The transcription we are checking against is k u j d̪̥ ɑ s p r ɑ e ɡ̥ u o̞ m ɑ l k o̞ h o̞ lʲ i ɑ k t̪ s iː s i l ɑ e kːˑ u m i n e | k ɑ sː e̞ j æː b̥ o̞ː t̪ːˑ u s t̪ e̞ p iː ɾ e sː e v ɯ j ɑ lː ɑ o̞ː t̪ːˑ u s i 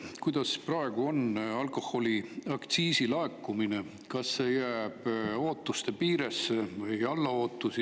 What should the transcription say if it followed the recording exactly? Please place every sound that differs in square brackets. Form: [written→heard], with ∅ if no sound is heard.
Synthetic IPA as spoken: k u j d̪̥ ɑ s p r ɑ e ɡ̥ u o̞ [m→n] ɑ l k o̞ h o̞ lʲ i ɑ k t̪ s iː s i l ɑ e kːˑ u m i n e | k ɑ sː e̞ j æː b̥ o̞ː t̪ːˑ u s t̪ e̞ p iː ɾ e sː e v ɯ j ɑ lː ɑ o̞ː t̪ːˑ u s i